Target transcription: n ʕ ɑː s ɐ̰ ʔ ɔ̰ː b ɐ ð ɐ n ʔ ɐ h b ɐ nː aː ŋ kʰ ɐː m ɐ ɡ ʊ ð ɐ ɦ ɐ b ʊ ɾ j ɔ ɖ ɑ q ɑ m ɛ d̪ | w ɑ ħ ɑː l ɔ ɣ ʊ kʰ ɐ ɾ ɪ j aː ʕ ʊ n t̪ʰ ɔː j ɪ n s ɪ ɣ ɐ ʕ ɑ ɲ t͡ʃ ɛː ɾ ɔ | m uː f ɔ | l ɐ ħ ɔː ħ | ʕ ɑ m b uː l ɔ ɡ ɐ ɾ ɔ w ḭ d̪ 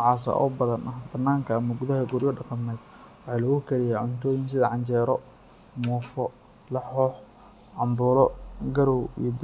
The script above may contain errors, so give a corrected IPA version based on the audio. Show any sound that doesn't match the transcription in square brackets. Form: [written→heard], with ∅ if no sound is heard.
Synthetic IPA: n ʕ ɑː s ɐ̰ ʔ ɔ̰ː b ɐ ð ɐ n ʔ ɐ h b ɐ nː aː ŋ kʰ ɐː m ɐ ɡ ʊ ð ɐ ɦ ɐ [b→ɡ] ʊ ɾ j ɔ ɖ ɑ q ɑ m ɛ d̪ | w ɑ ħ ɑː l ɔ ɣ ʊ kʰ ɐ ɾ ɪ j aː ʕ ʊ n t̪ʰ ɔː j ɪ n s ɪ [ɣ→ð] ɐ ʕ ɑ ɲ t͡ʃ ɛː ɾ ɔ | m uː f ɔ | l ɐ ħ ɔː ħ | ʕ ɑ m b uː l ɔ ɡ ɐ ɾ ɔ w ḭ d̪